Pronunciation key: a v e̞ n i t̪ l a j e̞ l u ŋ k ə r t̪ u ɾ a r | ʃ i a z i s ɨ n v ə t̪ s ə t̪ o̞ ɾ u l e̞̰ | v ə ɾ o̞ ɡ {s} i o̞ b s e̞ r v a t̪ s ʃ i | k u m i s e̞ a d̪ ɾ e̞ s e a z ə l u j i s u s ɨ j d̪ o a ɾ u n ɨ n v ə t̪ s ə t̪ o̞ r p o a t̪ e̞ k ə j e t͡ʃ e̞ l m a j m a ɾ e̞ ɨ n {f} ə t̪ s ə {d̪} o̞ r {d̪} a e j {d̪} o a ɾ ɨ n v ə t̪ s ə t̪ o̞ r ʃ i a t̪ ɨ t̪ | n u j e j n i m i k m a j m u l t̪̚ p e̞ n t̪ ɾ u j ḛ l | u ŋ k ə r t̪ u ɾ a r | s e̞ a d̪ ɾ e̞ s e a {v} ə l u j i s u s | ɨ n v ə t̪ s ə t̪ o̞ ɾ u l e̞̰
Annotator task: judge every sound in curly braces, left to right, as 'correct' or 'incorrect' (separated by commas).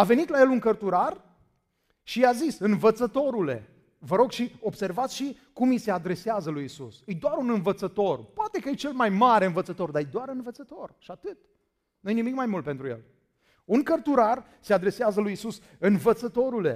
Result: incorrect, incorrect, incorrect, correct, correct, incorrect